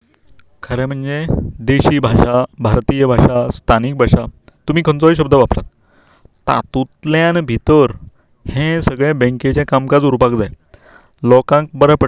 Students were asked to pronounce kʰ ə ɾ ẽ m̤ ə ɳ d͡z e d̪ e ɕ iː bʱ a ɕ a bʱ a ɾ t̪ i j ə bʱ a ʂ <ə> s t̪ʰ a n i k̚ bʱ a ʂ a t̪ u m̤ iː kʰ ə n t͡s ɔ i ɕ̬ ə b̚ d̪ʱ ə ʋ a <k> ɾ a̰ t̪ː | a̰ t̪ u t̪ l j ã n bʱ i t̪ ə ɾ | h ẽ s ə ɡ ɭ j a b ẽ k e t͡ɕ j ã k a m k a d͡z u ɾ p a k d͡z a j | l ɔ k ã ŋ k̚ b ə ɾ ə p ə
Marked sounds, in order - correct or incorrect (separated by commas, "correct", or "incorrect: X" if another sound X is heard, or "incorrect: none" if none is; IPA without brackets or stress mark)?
incorrect: a, incorrect: p